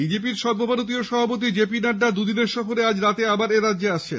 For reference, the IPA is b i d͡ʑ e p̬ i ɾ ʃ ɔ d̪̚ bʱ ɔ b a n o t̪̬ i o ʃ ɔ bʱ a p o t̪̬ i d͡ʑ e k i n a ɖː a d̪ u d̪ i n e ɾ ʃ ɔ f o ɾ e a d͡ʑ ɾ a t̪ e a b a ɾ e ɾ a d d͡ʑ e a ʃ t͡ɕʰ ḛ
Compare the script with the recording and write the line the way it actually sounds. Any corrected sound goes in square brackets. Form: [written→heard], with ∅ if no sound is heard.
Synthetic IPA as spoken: b i d͡ʑ e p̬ i ɾ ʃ ɔ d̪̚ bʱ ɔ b a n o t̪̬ i o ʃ ɔ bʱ a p o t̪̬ i d͡ʑ e [k→p] i n a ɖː a d̪ u d̪ i n e ɾ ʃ ɔ f o ɾ e a d͡ʑ ɾ a t̪ e a b a ɾ e ɾ a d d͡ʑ e a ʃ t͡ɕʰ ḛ